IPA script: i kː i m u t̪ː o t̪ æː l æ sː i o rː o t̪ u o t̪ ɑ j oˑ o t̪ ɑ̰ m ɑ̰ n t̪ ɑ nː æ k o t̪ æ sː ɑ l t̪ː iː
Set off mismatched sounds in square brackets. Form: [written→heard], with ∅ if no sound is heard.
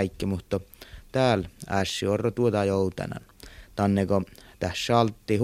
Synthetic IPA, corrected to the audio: i kː i m u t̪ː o t̪ æː l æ sː i o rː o t̪ u o t̪ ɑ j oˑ [o→u] t̪ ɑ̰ [m→n] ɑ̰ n t̪ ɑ nː [æ→e] k o t̪ æ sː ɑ l t̪ː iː